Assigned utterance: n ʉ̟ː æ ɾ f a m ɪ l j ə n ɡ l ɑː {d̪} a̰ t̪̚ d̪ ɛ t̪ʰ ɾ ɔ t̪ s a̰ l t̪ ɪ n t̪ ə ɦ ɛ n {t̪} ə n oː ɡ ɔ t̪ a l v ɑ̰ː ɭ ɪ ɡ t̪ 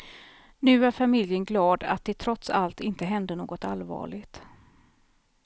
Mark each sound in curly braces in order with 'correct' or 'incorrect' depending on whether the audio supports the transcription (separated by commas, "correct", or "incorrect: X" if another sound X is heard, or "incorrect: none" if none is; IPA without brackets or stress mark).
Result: correct, incorrect: d̪